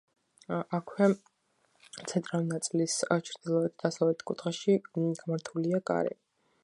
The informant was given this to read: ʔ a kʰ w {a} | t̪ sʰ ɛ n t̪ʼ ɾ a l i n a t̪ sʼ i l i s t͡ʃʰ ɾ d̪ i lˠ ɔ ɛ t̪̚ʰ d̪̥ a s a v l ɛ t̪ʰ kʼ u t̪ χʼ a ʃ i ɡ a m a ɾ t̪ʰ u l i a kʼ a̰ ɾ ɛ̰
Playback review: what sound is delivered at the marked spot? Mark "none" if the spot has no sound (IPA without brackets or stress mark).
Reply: ɛ